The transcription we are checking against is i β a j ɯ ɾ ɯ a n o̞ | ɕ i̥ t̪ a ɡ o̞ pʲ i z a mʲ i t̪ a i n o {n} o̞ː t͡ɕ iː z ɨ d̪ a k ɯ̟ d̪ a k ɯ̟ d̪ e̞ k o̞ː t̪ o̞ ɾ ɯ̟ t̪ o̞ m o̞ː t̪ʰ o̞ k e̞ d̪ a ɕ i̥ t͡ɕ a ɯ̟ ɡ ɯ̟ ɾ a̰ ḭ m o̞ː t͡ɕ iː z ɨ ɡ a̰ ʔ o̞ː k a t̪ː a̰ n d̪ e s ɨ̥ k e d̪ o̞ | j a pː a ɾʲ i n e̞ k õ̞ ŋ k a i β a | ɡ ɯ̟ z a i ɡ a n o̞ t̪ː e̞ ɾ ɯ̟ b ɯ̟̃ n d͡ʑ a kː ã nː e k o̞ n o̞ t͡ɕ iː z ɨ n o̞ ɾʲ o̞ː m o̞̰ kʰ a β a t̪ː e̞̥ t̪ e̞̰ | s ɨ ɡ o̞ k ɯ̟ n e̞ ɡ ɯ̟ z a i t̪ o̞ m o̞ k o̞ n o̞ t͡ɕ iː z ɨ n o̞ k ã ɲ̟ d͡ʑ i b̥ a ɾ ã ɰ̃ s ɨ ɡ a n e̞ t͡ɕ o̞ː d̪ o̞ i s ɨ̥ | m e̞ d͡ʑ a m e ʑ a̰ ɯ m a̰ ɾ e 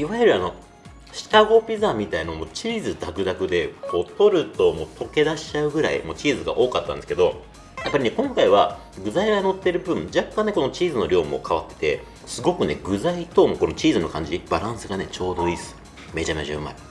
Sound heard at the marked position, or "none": m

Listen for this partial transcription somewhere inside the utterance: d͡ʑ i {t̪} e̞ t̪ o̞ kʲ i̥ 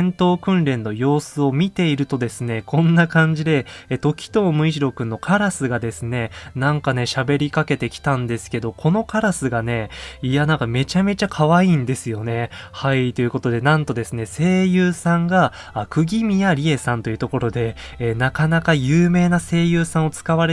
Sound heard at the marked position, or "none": d̪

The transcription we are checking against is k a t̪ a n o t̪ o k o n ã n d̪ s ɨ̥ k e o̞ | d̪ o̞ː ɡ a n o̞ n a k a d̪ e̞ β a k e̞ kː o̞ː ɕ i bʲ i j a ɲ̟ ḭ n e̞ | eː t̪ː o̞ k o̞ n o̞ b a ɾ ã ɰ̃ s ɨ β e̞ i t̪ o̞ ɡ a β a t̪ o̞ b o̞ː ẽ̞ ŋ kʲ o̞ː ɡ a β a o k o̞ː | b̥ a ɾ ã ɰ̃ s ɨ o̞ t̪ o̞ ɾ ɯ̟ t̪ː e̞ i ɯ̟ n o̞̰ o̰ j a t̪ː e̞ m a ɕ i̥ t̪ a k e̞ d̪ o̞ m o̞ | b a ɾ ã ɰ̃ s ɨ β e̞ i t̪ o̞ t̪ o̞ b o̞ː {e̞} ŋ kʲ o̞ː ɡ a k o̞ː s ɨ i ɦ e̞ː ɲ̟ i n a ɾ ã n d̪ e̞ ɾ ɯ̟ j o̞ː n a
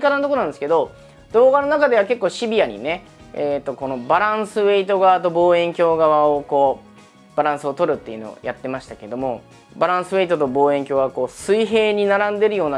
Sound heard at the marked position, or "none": ẽ̞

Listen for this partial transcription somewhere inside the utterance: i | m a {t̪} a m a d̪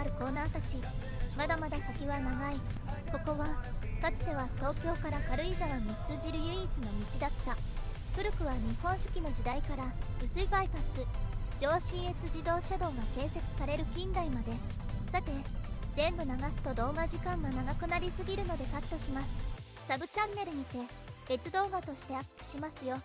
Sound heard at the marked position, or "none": d̪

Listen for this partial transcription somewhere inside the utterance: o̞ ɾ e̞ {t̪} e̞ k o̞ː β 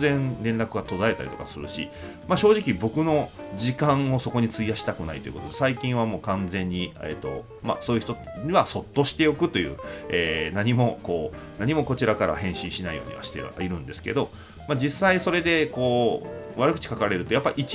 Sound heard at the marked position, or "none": d̪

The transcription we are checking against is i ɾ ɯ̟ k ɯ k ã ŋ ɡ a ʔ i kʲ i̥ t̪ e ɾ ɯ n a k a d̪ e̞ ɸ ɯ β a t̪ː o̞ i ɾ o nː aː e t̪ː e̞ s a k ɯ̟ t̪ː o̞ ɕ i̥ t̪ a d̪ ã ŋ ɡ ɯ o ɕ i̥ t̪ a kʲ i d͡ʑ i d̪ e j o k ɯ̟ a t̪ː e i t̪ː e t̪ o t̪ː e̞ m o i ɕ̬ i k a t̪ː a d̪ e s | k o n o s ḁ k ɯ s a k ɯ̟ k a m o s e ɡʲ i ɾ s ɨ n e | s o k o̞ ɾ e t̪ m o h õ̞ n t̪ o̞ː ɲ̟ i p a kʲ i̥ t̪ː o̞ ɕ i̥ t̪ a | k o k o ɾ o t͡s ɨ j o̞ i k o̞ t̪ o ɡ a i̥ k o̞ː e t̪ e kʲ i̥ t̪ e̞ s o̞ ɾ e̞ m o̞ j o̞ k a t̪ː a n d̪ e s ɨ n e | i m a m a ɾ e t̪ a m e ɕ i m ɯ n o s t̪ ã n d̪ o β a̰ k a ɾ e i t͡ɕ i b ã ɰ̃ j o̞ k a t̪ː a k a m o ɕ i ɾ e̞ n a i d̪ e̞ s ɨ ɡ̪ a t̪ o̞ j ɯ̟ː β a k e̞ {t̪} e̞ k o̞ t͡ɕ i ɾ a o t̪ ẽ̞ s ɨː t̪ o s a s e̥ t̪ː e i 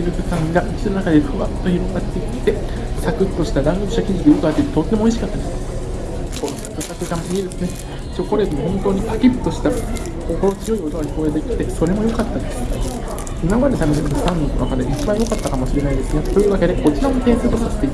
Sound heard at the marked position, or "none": d̪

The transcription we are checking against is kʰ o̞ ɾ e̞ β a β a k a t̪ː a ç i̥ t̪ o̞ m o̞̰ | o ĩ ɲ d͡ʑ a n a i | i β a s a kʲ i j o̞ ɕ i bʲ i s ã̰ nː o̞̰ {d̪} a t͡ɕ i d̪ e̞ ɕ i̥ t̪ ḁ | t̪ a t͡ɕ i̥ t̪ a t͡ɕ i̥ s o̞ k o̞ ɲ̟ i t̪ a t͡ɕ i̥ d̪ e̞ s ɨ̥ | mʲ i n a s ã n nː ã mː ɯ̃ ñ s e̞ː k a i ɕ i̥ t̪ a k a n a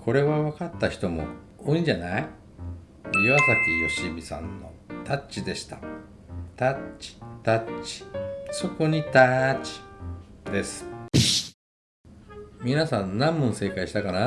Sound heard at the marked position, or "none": t̪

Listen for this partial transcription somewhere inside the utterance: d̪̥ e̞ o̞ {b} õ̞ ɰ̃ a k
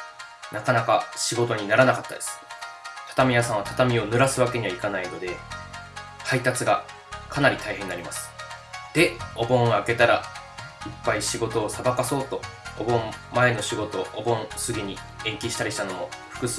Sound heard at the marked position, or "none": b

